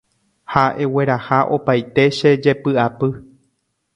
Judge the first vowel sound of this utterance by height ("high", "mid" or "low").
low